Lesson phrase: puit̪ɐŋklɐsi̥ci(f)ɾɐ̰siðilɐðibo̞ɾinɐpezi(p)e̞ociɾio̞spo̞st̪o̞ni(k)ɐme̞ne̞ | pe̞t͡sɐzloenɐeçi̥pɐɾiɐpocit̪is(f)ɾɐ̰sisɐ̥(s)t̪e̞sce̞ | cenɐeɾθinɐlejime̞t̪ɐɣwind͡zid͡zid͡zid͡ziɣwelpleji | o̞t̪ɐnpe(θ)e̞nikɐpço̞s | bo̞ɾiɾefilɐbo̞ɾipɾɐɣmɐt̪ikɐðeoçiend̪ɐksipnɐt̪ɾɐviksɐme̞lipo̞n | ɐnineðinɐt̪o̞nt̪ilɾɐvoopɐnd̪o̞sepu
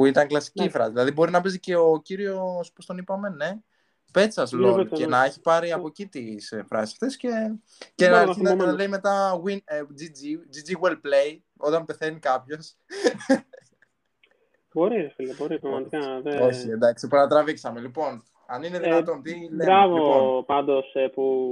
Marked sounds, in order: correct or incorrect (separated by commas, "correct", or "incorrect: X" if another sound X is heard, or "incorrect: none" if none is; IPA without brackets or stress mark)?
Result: correct, incorrect: c, incorrect: p, correct, incorrect: f, correct